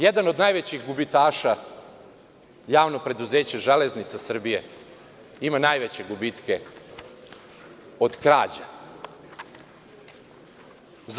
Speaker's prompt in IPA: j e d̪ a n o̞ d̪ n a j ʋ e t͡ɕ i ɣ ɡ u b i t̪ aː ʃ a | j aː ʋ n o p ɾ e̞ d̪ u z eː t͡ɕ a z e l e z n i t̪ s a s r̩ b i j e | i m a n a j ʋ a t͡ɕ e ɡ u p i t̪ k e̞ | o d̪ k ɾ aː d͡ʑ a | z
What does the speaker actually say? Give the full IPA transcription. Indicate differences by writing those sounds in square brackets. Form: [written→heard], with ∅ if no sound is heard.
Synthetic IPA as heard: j e d̪ a n o̞ d̪ n a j ʋ e t͡ɕ i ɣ ɡ u b i t̪ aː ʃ a | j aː ʋ n o p ɾ e̞ d̪ u z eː t͡ɕ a [z→ʒ] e l e z n i t̪ s a s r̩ b i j e | i m a n a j ʋ [a→e] t͡ɕ e ɡ u [p→b] i t̪ k e̞ | o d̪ k ɾ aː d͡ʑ a | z